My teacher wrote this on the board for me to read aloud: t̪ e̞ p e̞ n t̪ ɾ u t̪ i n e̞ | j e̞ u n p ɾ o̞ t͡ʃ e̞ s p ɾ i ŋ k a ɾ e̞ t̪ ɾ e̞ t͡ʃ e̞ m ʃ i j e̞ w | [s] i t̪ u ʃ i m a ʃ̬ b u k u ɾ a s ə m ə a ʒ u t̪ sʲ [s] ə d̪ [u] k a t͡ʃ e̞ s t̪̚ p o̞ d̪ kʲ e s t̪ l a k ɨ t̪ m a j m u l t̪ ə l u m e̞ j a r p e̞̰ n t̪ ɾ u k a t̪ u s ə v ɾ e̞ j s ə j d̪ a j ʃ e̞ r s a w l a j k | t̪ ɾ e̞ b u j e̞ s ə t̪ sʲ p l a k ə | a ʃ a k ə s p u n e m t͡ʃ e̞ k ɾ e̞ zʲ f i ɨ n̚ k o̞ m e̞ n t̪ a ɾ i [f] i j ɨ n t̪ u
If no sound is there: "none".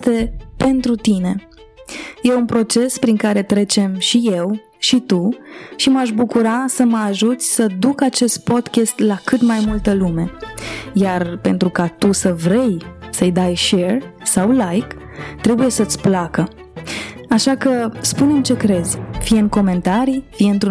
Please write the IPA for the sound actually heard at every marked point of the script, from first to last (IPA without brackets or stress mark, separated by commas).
ʃ, s, u, f